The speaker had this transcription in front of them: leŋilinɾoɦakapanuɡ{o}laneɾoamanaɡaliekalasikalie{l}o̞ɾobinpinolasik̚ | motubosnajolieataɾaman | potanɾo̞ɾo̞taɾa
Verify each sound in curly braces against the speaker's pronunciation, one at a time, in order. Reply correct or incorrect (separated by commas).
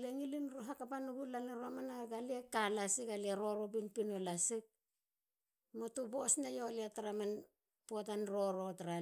incorrect, incorrect